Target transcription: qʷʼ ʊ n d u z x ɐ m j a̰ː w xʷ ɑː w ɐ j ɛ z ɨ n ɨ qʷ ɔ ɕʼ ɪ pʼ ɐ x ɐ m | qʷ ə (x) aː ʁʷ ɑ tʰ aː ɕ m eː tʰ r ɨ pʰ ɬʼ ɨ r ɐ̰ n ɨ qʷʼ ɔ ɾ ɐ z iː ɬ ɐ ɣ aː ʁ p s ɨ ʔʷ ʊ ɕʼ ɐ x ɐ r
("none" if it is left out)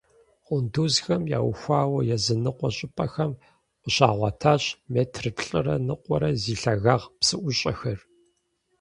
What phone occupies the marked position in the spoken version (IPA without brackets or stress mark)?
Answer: ɕ